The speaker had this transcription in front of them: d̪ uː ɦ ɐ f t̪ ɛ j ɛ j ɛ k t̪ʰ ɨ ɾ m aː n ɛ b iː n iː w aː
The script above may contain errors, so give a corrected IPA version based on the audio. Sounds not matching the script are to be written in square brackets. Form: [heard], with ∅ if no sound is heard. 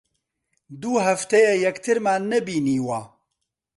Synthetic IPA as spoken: d̪ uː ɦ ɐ f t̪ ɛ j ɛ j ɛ k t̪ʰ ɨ ɾ m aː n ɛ b iː n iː w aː